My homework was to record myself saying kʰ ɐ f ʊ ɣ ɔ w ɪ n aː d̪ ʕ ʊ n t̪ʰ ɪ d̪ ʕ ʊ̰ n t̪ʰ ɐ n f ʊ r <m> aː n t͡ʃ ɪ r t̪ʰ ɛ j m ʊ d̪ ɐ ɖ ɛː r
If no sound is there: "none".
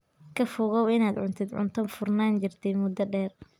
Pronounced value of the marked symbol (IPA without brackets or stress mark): n